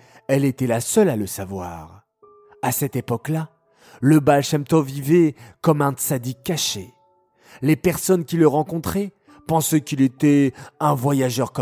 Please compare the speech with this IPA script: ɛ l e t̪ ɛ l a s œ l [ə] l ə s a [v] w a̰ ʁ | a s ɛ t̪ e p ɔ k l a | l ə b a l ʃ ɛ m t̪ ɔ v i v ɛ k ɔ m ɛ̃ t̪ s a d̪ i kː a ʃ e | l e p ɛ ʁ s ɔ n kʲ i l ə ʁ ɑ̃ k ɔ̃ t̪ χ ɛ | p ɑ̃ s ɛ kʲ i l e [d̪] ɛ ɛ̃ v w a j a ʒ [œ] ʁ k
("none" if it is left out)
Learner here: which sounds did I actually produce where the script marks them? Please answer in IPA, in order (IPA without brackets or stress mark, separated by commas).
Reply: a, v, t̪, œ